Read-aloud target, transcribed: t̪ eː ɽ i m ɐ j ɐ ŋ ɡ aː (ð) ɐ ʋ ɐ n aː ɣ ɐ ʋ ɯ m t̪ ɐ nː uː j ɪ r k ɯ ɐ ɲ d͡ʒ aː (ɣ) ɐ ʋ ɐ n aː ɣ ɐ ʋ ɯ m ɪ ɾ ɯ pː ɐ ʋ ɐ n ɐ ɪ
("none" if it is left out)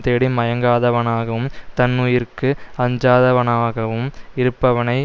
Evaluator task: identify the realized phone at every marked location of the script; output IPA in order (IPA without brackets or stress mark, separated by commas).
ð, ð